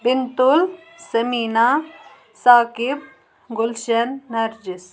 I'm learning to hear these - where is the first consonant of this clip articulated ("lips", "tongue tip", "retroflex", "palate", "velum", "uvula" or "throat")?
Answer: lips